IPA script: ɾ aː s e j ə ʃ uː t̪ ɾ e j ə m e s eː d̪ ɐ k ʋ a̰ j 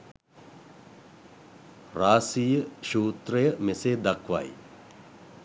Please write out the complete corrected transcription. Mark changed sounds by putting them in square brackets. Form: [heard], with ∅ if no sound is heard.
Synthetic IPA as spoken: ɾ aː s [i] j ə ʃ uː t̪ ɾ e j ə m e s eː d̪ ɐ k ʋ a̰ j